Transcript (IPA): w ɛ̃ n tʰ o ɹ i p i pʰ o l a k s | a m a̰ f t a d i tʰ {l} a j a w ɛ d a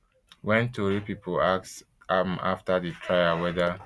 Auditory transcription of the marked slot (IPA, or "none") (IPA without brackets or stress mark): ɹ